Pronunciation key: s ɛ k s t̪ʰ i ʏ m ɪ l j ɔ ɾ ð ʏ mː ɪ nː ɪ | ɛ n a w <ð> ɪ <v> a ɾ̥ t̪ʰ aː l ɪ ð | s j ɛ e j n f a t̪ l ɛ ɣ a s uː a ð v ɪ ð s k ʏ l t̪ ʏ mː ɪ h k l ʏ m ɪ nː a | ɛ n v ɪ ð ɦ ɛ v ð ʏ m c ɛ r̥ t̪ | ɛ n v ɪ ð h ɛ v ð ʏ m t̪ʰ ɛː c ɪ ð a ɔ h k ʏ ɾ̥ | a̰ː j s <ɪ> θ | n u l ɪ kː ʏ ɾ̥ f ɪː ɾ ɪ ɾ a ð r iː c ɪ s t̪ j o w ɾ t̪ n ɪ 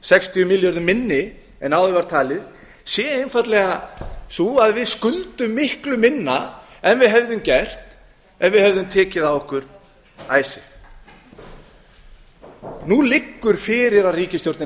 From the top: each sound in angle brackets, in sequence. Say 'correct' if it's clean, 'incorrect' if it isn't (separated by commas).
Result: correct, correct, correct